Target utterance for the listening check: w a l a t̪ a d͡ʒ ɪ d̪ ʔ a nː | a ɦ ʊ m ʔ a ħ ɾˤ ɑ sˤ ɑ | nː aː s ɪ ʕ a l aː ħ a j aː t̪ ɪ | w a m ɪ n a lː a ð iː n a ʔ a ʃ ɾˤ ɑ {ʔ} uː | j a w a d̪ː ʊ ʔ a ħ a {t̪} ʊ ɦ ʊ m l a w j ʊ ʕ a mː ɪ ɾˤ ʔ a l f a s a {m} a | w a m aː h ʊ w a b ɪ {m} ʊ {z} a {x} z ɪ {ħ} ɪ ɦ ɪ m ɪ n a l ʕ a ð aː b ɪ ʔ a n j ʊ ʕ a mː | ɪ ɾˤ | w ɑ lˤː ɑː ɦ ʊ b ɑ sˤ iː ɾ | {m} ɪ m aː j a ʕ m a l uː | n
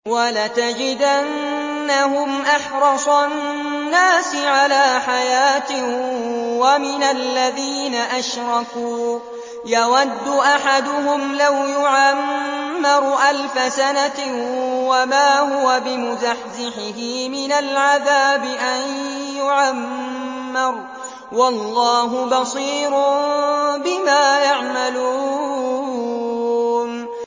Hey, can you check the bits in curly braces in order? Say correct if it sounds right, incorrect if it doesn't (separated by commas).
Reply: incorrect, incorrect, incorrect, correct, correct, incorrect, correct, incorrect